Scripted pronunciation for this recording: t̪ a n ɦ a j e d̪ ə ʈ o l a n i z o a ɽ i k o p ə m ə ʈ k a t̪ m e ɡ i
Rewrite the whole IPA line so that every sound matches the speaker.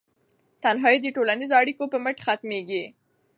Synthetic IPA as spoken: t̪ a n ɦ ɑ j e d̪ ə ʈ o l a n i z o a ɽ i k o p ə m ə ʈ x a t̪ m e ɡ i